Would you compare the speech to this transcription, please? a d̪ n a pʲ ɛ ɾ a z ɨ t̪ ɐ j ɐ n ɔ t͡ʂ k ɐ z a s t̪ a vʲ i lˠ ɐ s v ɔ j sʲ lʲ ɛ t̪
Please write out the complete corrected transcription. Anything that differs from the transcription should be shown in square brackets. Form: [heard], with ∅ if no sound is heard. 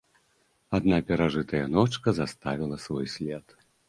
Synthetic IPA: a d̪ n a pʲ ɛ ɾ a [ʐ] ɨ t̪ ɐ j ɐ n ɔ t͡ʂ k ɐ z a s t̪ a vʲ i lˠ ɐ s v ɔ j sʲ lʲ ɛ t̪